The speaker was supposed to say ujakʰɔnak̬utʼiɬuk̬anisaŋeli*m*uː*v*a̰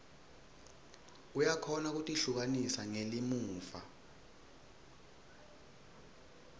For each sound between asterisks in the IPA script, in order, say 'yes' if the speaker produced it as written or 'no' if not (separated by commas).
yes, no